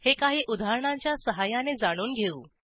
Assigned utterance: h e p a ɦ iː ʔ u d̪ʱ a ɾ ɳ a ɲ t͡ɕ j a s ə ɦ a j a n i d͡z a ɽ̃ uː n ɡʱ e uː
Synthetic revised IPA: h e k a ɦ iː ʔ u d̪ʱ a ɾ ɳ a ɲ t͡ɕ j a s ə ɦ a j a n e d͡z a ɽ̃ uː n ɡʱ e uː